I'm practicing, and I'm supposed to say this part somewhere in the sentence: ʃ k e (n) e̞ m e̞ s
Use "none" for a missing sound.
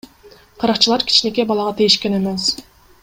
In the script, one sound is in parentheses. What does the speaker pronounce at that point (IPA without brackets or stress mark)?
n